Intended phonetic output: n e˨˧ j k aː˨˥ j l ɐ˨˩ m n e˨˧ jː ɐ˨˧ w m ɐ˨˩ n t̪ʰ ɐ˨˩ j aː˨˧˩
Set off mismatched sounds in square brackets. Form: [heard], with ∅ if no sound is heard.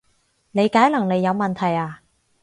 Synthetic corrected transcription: n e˨˧ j k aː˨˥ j l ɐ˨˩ [ŋ] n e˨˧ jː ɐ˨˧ w m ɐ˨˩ n t̪ʰ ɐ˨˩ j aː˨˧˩